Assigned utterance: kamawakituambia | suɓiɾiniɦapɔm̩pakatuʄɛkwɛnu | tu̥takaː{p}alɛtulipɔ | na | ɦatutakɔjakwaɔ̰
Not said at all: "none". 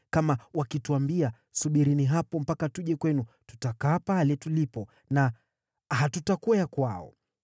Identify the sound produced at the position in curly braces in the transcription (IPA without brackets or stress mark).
p